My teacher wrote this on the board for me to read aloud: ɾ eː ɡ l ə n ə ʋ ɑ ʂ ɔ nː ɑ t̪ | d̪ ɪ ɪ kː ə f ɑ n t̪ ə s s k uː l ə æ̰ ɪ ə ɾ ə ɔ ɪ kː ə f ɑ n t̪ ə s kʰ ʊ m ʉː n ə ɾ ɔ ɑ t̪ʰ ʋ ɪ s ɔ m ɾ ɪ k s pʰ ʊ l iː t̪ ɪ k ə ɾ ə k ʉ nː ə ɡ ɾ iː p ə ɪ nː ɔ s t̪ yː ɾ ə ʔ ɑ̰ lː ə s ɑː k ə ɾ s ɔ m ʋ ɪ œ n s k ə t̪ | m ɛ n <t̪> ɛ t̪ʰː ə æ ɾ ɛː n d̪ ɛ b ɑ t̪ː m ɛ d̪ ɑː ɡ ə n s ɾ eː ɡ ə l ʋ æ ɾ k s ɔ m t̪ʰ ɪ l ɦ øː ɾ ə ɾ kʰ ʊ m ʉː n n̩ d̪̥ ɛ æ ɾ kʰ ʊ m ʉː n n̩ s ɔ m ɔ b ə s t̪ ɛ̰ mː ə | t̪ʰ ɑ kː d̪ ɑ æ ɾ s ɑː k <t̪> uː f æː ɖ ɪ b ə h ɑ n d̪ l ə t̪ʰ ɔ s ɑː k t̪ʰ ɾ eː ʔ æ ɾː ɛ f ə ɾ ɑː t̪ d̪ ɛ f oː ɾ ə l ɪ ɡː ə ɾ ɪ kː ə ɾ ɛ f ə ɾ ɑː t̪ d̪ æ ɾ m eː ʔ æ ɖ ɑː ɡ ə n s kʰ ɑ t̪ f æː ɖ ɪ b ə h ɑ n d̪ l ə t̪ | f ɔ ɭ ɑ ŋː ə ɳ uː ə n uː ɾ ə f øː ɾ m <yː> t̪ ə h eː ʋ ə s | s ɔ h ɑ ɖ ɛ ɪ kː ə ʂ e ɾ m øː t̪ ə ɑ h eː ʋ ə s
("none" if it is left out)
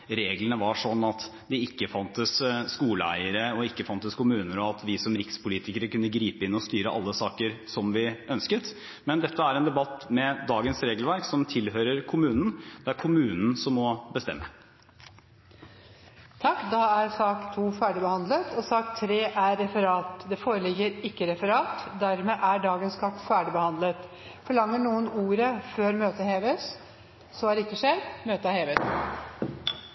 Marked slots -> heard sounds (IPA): d̪, t̪ʰ, øː

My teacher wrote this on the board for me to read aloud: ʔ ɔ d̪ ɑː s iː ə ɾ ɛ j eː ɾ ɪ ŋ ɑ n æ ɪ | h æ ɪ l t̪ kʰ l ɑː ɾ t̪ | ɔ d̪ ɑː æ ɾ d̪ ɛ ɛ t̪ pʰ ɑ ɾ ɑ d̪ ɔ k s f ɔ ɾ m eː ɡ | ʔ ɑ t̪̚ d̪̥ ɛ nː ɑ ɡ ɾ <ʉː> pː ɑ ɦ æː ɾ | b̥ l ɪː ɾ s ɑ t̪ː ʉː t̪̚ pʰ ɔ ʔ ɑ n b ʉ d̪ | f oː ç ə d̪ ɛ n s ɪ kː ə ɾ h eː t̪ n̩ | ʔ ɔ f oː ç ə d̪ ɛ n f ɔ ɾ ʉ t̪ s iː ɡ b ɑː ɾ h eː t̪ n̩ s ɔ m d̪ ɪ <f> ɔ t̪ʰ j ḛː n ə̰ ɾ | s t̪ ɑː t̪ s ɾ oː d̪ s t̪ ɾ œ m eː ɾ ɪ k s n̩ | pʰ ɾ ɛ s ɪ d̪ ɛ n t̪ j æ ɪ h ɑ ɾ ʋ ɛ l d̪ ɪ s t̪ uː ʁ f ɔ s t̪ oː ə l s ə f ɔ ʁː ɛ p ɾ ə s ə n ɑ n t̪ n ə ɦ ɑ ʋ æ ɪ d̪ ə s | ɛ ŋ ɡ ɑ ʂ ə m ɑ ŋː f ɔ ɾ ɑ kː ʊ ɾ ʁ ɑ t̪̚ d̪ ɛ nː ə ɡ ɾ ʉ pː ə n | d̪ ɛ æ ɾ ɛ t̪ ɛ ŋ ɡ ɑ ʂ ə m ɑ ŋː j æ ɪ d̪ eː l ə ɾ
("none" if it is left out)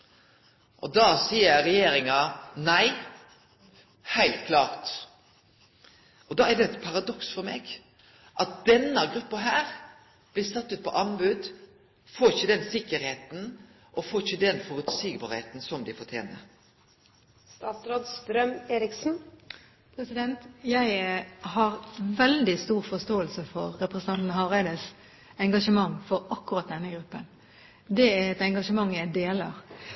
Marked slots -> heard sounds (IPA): ʉ, f

